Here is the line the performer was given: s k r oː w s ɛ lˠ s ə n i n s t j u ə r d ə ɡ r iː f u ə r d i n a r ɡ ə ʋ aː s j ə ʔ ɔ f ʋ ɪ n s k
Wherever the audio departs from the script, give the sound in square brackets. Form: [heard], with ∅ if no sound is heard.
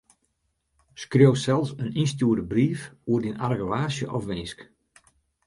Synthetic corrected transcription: s k r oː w s ɛ lˠ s ə n i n s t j u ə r d ə [b] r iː f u ə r d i n a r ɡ ə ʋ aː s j ə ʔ ɔ f ʋ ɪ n s k